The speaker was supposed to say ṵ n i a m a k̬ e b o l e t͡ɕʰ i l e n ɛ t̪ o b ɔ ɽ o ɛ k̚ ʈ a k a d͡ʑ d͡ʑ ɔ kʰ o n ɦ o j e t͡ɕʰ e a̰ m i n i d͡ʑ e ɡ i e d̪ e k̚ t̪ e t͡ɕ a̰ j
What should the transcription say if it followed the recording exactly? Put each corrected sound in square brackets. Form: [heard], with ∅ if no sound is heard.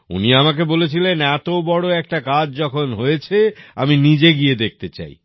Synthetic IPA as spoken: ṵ n i a m a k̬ e b o l e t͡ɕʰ i l e n ɛ t̪ o b ɔ ɽ o ɛ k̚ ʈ a k a d͡ʑ d͡ʑ ɔ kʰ o n ɦ o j e t͡ɕʰ e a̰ m i n i d͡ʑ e ɡ i e d̪ e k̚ t̪ e t͡ɕ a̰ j